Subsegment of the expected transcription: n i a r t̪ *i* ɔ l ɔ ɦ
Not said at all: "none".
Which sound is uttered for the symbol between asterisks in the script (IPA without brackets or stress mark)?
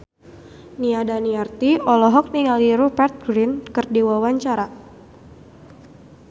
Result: i